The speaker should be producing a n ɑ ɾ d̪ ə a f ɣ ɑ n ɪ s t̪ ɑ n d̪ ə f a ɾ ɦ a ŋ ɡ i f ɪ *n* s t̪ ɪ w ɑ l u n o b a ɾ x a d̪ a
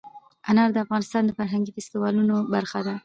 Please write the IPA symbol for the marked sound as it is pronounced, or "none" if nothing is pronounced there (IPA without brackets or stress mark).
none